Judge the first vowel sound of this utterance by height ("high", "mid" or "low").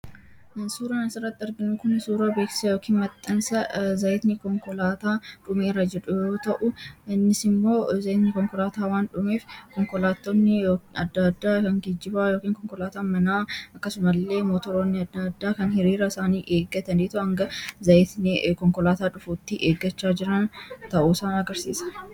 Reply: high